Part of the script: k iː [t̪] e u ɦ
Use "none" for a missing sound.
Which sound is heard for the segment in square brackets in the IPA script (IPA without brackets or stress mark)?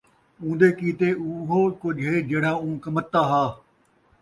t̪